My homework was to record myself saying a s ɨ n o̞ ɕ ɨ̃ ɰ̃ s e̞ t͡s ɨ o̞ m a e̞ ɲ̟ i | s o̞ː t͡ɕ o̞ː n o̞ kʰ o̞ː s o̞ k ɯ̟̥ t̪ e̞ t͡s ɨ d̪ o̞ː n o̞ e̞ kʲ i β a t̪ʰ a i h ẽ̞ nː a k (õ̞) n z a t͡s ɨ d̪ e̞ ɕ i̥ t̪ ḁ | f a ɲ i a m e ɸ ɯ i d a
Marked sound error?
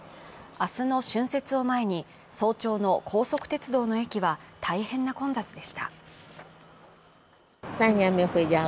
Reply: no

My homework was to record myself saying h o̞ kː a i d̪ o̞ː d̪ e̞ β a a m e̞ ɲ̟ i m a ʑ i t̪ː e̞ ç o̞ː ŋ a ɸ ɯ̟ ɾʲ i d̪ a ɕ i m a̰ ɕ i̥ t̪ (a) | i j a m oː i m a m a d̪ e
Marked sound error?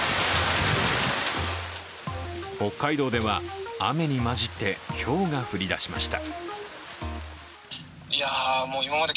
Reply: no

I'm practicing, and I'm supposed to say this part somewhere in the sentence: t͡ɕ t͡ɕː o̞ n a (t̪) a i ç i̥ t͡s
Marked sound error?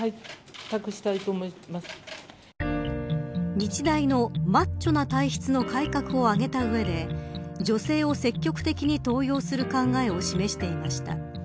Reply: no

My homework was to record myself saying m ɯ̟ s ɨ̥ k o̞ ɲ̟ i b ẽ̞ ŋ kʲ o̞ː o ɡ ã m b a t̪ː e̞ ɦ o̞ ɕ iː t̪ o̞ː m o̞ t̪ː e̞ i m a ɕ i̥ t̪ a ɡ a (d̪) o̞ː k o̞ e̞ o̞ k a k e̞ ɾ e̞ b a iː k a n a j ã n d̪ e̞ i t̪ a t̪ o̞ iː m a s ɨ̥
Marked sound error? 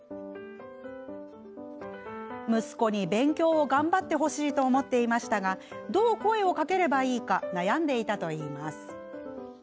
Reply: no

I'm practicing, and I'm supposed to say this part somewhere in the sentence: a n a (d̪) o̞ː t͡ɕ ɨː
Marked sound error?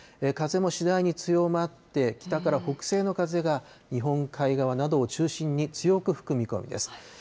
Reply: no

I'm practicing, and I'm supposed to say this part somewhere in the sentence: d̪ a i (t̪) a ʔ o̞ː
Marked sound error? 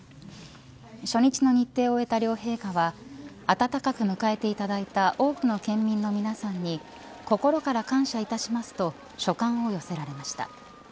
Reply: no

